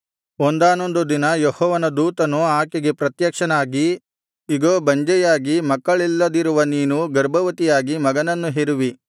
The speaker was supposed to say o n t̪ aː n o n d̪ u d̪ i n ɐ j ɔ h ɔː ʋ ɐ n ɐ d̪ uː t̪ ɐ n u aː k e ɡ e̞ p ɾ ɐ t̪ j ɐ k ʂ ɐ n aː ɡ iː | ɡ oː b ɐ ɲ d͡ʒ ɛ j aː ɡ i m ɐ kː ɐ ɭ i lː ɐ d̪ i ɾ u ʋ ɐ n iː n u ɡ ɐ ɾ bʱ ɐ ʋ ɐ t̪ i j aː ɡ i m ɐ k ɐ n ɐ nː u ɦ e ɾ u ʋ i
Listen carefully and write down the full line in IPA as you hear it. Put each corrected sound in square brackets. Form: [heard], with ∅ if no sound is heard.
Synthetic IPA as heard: o n [d̪] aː n o n d̪ u d̪ i n ɐ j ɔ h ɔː ʋ ɐ n ɐ d̪ uː t̪ ɐ n u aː k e ɡ e̞ p ɾ ɐ t̪ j ɐ k ʂ ɐ n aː ɡ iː | ɡ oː b ɐ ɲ d͡ʒ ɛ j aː ɡ i m ɐ kː ɐ ɭ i lː ɐ d̪ i ɾ u ʋ ɐ n iː n u ɡ ɐ ɾ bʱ ɐ ʋ ɐ t̪ i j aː ɡ i m ɐ [ɡ] ɐ n ɐ nː u ɦ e ɾ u ʋ i